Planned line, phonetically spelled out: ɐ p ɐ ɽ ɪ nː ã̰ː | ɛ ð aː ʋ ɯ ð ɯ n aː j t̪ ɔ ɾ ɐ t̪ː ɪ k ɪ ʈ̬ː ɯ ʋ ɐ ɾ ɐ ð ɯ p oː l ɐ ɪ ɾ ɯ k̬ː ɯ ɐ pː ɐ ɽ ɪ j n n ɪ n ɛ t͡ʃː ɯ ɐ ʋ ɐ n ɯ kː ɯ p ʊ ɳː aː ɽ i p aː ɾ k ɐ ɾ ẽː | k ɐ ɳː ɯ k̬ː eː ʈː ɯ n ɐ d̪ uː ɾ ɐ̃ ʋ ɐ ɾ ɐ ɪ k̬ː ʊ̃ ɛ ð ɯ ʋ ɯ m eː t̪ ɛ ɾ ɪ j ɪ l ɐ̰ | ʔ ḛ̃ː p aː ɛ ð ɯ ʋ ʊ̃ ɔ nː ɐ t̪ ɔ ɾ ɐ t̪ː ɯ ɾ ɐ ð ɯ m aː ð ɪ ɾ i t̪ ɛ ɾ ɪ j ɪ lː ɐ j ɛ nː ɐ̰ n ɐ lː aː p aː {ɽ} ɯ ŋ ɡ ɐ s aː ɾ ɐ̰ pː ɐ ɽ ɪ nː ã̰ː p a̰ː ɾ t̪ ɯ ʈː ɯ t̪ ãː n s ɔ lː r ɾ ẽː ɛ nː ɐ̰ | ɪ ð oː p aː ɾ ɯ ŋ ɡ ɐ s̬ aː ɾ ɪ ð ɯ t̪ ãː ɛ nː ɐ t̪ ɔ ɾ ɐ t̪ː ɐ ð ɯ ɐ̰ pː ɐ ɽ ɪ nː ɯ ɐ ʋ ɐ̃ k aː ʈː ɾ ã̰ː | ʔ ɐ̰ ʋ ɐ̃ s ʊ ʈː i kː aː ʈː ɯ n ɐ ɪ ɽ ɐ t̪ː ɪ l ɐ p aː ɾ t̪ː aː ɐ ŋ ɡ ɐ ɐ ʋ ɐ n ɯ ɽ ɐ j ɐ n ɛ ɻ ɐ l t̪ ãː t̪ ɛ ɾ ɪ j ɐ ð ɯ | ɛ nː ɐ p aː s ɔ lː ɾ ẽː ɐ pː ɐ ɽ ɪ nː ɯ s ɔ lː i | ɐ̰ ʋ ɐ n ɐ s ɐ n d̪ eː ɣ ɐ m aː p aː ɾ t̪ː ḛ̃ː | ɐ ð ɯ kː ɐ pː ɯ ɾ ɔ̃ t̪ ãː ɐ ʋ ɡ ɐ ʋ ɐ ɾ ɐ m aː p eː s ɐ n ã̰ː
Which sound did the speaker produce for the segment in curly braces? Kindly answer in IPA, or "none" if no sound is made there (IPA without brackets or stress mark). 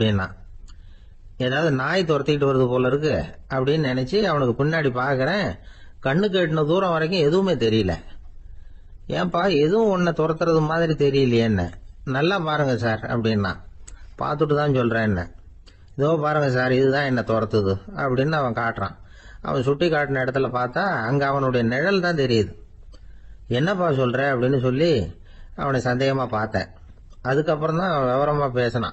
ɾ